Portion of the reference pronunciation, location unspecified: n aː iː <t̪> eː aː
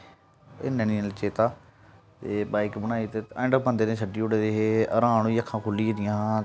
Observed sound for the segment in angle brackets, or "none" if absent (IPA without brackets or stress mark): t̪